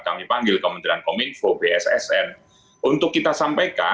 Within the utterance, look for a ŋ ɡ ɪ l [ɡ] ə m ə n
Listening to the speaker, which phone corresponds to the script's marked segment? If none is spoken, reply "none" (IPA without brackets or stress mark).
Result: k